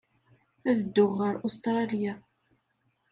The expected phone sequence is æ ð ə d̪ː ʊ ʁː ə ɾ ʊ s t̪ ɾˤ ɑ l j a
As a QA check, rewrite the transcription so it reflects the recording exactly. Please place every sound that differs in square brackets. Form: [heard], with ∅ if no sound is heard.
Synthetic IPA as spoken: æ ð ə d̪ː ʊ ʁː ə ɾ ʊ s t̪ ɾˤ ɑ l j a